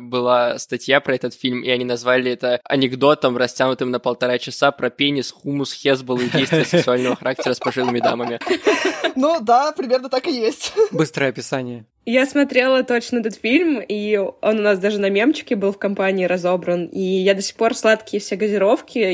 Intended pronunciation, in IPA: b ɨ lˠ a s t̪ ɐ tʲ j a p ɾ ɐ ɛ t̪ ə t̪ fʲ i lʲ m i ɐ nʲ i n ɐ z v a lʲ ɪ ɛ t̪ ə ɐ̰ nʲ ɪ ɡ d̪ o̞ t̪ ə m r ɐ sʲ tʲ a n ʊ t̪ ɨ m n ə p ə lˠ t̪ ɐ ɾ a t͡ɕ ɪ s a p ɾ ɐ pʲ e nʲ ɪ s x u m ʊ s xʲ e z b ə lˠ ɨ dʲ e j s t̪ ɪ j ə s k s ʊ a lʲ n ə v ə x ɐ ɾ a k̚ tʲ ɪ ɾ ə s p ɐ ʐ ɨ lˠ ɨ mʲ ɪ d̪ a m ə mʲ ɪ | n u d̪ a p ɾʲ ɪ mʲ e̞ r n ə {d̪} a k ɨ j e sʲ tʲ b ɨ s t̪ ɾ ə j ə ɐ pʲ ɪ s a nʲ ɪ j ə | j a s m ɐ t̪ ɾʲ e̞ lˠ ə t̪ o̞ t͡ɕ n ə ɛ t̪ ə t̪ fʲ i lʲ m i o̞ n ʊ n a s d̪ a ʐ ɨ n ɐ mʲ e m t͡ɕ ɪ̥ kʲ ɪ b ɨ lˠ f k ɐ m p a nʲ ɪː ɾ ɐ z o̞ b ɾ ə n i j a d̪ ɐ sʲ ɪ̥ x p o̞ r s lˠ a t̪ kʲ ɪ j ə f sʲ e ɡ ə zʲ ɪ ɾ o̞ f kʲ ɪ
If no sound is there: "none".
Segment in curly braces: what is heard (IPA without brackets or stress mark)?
t̪